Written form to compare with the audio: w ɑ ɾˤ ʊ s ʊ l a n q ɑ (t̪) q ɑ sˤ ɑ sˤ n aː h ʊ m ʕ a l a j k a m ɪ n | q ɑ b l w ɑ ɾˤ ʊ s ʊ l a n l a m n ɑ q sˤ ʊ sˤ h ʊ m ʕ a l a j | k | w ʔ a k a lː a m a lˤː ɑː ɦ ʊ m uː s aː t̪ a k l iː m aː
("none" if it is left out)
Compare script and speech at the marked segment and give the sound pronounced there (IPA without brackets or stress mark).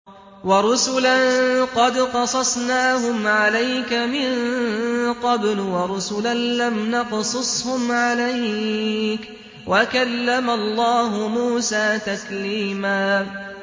d̪